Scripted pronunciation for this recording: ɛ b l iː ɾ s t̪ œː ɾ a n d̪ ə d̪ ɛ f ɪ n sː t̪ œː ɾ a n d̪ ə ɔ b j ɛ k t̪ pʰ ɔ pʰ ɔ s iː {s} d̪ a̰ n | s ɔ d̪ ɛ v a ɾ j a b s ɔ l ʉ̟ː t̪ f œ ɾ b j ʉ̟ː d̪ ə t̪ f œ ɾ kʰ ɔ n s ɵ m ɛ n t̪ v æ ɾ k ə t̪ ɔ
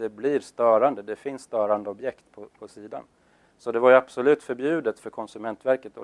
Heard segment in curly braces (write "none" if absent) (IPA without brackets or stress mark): none